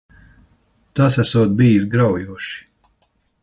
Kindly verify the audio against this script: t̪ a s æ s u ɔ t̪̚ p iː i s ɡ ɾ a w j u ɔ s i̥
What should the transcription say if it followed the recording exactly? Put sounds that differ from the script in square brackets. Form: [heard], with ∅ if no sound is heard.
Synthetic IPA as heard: t̪ a s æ s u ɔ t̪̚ [b] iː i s ɡ ɾ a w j u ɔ [ʃ] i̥